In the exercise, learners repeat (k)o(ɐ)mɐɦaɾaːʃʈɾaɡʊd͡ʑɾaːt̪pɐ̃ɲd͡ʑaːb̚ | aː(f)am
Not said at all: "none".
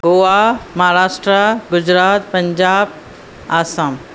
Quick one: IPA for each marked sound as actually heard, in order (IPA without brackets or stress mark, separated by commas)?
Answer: ɡ, a, s